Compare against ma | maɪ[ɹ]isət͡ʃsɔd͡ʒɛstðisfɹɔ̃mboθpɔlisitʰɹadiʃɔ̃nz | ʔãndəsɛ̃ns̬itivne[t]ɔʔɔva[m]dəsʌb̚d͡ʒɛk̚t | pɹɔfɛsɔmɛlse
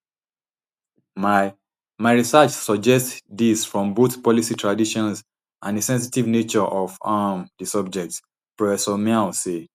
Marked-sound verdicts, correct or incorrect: correct, incorrect, correct

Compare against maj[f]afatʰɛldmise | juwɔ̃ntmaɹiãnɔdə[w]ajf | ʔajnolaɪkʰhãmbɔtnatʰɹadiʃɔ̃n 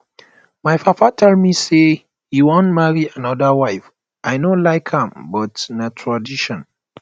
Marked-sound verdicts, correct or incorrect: correct, correct

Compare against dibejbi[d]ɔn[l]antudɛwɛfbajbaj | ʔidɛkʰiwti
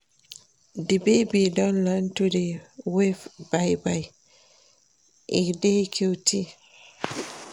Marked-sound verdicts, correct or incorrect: correct, correct

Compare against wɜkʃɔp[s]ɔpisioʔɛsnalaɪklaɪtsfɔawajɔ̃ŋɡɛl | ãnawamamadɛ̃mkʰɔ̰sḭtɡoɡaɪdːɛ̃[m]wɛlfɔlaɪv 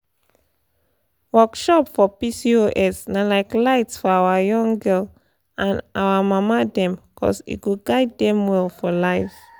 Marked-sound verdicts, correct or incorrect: incorrect, correct

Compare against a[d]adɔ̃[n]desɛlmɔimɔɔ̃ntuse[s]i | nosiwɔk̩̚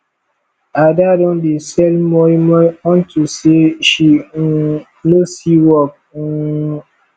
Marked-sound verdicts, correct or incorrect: correct, correct, incorrect

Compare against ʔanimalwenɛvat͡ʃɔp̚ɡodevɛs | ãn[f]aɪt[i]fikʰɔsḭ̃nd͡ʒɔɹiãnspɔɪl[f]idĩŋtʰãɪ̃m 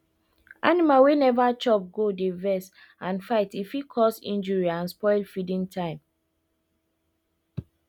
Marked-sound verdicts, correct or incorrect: correct, correct, correct

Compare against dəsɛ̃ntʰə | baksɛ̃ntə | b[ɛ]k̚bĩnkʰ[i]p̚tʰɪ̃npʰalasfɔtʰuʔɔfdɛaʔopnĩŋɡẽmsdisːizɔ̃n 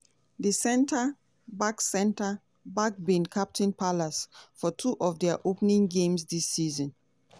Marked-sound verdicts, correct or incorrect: incorrect, incorrect

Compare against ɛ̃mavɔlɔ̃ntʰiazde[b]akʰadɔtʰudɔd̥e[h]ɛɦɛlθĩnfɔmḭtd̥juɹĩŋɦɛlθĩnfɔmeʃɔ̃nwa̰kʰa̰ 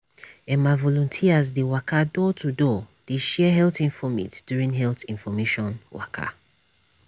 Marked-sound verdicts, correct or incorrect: incorrect, incorrect

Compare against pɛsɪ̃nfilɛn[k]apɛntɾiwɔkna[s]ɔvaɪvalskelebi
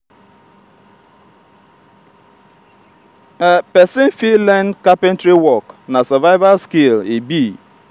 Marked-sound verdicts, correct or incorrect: correct, correct

